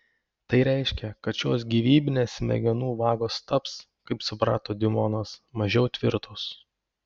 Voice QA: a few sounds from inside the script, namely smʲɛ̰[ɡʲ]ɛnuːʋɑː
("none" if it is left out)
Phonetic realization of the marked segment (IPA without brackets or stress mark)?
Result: ɡʲ